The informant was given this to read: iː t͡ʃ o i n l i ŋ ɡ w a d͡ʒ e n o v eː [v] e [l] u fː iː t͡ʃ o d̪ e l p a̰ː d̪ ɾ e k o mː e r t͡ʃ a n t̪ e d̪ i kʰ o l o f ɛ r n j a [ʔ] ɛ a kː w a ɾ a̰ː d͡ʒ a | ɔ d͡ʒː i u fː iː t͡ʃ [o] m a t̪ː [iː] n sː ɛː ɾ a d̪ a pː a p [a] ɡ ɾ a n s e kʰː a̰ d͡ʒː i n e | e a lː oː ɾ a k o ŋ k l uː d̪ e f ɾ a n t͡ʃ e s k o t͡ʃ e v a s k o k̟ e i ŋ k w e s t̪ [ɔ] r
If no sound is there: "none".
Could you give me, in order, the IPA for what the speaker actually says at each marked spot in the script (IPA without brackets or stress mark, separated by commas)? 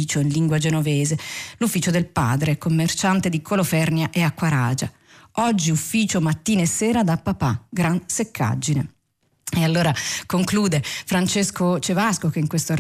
z, l, ʔ, o, iː, a, o